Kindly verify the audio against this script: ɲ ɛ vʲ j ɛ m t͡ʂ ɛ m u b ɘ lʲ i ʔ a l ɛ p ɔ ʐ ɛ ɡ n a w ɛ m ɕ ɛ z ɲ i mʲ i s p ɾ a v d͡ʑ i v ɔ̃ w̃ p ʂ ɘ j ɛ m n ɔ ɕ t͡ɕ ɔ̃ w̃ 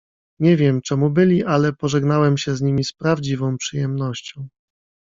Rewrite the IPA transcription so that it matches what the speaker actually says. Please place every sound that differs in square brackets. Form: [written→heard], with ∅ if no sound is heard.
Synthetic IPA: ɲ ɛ vʲ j ɛ m t͡ʂ ɛ m u b ɘ lʲ i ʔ a l ɛ p ɔ ʐ ɛ ɡ n a w ɛ m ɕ ɛ z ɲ i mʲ i s p ɾ a v d͡ʑ i v ɔ̃ w̃ p ʂ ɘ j ɛ m n ɔ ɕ t͡ɕ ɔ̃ w̃